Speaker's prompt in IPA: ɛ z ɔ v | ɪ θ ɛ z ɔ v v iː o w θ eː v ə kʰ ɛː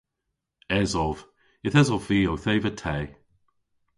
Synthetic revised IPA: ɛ z ɔ v | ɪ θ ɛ z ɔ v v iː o w θ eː v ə tʰ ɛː

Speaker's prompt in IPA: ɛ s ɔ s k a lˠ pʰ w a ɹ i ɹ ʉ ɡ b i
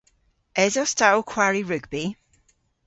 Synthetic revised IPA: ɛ z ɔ s t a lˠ kʰ w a ɹ i ɹ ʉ ɡ b i

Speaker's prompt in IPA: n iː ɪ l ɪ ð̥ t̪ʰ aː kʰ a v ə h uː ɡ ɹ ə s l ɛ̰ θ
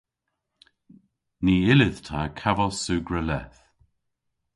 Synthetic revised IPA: n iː ɪ l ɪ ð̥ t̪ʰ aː kʰ a v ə s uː ɡ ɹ ə l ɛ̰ θ

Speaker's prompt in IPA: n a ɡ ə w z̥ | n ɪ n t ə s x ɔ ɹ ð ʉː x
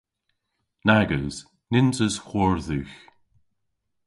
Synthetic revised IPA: n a ɡ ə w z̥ | n ɪ n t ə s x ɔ ɹ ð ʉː x

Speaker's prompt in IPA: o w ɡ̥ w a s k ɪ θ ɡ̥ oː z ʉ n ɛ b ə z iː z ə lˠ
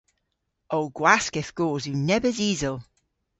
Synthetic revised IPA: o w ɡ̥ w a s k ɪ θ ɡ̥ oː z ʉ n ɛ b ə z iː z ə lˠ

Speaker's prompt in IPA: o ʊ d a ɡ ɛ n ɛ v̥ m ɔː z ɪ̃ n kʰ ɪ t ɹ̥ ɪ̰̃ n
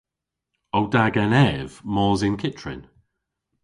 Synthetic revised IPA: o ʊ d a ɡ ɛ n ɛ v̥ m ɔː z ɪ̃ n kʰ ɪ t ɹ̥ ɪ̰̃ n

